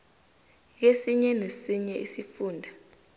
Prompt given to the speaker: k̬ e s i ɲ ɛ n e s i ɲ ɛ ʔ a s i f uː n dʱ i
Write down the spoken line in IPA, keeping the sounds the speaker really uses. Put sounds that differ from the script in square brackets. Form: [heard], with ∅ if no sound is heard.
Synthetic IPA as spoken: k̬ e s i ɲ ɛ n e s i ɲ ɛ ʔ [i] s i f uː n dʱ [a]

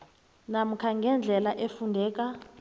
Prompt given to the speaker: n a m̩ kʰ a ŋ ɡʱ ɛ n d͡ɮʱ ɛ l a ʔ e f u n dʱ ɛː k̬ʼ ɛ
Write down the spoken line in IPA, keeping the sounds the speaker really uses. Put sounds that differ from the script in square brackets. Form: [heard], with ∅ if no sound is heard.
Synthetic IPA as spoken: n a m̩ kʰ a ŋ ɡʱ ɛ n d͡ɮʱ ɛ l a ʔ e f u n dʱ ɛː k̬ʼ [a]

